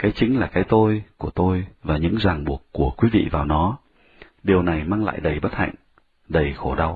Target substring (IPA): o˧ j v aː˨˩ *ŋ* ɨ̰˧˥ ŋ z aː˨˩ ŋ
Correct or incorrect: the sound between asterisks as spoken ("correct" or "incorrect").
incorrect